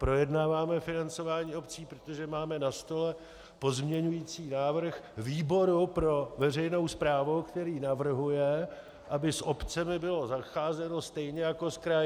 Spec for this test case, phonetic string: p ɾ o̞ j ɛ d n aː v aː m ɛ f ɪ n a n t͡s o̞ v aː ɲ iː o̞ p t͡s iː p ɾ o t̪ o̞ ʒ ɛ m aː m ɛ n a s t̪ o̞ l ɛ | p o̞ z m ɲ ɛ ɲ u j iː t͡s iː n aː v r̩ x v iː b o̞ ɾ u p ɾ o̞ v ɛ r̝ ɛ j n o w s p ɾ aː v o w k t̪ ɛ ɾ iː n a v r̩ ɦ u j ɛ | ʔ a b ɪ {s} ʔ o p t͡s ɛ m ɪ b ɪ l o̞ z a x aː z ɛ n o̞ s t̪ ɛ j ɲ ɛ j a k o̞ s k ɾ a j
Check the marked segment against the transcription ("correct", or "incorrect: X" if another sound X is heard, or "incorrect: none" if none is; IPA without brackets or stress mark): correct